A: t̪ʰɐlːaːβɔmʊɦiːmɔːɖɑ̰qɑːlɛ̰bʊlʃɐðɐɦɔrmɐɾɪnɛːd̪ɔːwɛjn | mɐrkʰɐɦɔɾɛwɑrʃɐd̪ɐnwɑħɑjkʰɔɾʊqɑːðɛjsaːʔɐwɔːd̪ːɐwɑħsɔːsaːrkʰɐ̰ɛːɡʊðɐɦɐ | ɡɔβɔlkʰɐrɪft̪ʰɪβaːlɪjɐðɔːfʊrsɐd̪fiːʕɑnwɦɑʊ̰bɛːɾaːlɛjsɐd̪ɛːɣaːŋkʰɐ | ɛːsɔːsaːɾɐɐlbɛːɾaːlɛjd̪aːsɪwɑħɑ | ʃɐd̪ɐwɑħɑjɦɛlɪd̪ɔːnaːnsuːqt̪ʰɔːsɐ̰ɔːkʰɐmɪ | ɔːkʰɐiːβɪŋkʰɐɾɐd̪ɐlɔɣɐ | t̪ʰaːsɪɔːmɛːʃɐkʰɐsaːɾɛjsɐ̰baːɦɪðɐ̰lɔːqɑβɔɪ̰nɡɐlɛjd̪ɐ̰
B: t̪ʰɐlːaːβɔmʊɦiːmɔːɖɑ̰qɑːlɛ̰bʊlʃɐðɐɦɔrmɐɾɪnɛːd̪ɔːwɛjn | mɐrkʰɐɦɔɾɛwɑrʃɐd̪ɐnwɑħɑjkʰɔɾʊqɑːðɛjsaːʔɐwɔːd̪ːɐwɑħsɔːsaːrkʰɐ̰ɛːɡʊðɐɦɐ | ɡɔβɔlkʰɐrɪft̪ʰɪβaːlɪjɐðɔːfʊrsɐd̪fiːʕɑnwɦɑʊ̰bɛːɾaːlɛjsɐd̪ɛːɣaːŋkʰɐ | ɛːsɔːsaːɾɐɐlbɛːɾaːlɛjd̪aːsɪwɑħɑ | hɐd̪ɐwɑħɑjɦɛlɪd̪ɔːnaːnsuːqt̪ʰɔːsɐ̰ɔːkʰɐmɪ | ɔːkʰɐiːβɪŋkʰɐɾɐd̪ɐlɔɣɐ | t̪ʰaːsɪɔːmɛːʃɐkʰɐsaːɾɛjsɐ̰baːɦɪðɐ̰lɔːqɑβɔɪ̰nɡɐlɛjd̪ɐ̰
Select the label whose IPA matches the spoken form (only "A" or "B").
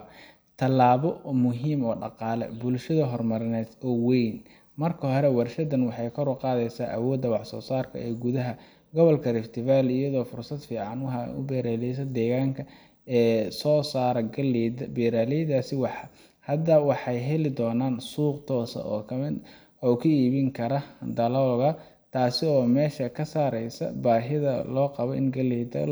B